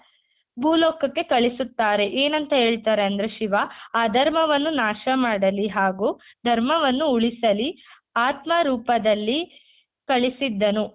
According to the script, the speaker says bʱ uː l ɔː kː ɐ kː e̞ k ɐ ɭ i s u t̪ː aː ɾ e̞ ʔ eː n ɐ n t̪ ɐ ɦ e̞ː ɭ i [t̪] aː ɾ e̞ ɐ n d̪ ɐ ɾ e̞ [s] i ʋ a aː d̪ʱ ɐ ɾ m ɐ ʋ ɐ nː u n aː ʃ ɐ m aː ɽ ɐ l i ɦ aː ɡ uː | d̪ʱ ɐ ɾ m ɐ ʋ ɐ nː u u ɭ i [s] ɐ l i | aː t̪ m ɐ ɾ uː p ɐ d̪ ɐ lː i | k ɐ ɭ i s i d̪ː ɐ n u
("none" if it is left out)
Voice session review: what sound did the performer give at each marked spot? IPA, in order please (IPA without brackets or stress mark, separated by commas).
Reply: t̪, ʃ, s